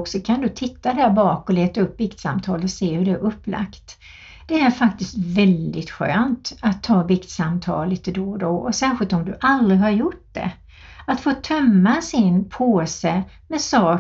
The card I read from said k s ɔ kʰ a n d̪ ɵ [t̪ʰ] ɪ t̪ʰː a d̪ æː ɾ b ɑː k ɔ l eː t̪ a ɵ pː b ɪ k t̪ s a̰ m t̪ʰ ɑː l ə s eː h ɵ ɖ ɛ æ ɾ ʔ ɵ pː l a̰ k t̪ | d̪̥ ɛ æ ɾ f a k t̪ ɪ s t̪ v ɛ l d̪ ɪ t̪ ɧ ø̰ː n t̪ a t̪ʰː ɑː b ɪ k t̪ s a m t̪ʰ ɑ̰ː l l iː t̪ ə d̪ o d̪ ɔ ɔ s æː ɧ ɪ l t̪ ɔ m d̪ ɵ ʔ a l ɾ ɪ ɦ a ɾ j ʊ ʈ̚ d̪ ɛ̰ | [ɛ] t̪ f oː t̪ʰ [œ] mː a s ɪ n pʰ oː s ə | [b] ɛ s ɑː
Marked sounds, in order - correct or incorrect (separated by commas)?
correct, incorrect, correct, incorrect